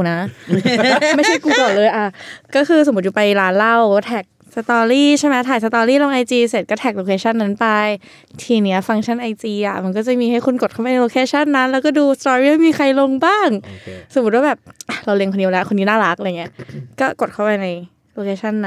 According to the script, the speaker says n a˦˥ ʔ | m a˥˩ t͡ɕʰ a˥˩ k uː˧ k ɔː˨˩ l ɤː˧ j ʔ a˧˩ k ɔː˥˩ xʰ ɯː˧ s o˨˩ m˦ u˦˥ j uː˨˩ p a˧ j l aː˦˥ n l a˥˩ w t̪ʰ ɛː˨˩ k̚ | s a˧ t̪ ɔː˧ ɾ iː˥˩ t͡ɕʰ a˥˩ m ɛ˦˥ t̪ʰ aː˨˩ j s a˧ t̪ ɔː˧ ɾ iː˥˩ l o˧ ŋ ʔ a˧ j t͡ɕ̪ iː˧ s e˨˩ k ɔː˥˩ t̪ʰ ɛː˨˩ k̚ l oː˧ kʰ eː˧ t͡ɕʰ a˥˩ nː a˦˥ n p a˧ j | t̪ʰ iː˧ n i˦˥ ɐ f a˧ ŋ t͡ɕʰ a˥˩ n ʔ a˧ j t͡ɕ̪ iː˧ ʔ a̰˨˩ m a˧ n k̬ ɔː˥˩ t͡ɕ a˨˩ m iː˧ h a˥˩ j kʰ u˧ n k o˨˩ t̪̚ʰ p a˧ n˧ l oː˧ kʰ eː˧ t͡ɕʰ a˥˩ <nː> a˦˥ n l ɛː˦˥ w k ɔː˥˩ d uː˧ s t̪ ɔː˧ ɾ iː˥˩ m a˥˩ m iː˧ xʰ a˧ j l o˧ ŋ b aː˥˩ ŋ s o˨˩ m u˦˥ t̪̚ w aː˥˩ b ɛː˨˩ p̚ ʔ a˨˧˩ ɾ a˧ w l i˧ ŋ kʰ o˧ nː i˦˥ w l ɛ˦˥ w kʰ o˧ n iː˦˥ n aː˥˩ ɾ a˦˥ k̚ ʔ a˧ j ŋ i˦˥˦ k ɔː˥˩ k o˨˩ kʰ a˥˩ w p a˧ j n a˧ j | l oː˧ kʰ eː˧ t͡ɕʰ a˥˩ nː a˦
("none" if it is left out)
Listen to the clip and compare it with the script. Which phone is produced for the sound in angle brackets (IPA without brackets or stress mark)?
nː